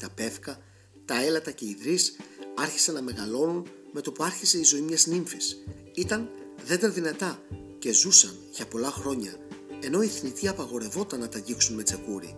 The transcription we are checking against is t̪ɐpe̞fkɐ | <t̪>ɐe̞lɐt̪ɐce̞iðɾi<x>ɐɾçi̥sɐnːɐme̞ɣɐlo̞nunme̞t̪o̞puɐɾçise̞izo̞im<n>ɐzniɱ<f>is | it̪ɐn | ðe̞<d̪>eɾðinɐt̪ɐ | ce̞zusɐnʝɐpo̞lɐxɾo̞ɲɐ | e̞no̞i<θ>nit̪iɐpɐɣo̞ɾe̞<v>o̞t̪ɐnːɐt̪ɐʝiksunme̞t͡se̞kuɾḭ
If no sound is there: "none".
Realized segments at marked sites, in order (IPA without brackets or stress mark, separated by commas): t̪, s, ɲ, f, d̪, θ, v